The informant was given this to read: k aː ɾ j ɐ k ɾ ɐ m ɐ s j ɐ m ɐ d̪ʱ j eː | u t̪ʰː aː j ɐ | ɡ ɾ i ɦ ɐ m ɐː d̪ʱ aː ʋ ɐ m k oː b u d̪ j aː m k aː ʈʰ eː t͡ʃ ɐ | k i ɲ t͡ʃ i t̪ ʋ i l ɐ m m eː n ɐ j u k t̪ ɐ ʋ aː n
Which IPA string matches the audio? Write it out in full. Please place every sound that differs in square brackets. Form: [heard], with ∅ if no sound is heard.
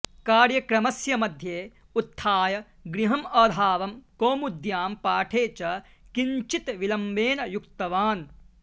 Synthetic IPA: k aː ɾ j ɐ k ɾ ɐ m ɐ s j ɐ m ɐ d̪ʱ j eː | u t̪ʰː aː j ɐ | ɡ ɾ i ɦ ɐ m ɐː d̪ʱ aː ʋ ɐ m k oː [m] u d̪ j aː m [p] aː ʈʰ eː t͡ʃ ɐ | k i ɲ t͡ʃ i t̪ ʋ i l ɐ m [b] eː n ɐ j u k t̪ ɐ ʋ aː n

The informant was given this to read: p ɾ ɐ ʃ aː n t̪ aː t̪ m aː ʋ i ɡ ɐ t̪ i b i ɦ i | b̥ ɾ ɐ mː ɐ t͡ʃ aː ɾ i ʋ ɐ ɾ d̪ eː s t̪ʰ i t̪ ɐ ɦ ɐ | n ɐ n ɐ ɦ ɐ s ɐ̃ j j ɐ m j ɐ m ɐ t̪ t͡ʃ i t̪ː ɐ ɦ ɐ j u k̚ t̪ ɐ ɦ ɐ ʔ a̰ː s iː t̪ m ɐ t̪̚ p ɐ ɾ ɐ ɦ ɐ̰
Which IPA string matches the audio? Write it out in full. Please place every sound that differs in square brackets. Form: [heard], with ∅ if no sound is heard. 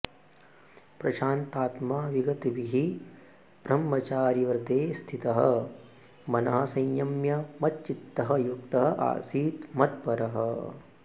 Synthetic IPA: p ɾ ɐ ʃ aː n t̪ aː t̪ m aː ʋ i ɡ ɐ t̪ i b i ɦ i | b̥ ɾ ɐ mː ɐ t͡ʃ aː ɾ i ʋ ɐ ɾ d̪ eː s t̪ʰ i t̪ ɐ ɦ ɐ | [m] ɐ n ɐ ɦ ɐ s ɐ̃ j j ɐ m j ɐ m ɐ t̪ t͡ʃ i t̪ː ɐ ɦ ɐ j u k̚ t̪ ɐ ɦ ɐ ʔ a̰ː s iː t̪ m ɐ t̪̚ p ɐ ɾ ɐ ɦ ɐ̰

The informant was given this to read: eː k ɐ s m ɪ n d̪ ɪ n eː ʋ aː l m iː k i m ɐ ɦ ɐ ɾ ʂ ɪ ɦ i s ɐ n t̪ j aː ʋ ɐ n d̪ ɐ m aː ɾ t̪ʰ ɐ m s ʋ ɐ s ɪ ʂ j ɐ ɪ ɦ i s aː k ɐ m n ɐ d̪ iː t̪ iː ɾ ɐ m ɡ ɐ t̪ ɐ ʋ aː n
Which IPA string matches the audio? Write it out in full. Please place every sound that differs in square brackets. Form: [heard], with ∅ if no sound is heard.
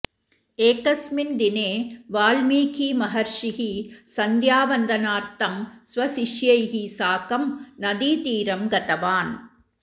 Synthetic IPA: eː k ɐ s m ɪ n d̪ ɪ n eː ʋ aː l m iː k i m ɐ ɦ ɐ ɾ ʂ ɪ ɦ i s ɐ n [d̪] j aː ʋ ɐ n d̪ ɐ [n] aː ɾ [t̪] ɐ m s ʋ ɐ s ɪ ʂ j ɐ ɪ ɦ i s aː k ɐ m n ɐ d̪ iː t̪ iː ɾ ɐ m ɡ ɐ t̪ ɐ ʋ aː n

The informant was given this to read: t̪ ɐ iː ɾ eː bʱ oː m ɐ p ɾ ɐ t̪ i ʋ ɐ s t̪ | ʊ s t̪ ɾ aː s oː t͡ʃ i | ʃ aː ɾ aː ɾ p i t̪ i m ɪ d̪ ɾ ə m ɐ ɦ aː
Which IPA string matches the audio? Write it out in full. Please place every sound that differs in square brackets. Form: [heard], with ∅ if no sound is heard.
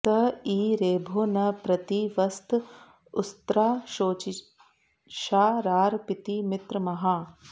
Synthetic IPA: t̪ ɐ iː ɾ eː bʱ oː [n] ɐ p ɾ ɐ t̪ i ʋ ɐ s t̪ | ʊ s t̪ ɾ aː [ʃ] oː t͡ʃ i | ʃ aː ɾ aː ɾ p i t̪ i m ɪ [t̪] ɾ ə m ɐ ɦ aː

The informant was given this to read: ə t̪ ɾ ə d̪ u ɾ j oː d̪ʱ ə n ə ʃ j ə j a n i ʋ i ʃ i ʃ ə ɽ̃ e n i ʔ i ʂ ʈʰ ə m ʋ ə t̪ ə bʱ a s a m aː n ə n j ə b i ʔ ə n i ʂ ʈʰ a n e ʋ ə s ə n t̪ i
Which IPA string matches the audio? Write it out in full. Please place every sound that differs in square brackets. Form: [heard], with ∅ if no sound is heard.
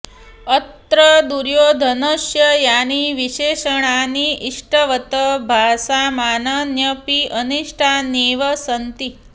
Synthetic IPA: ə t̪ ɾ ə d̪ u ɾ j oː d̪ʱ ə n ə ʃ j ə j a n i ʋ i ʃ [e] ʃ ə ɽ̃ [a] n i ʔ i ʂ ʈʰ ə [∅] ʋ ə t̪ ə bʱ a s a m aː n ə n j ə [p] i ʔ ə n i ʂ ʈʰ a n e ʋ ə s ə n t̪ i

